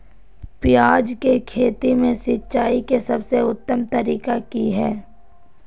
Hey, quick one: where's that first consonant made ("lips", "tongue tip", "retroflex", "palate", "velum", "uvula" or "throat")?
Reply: lips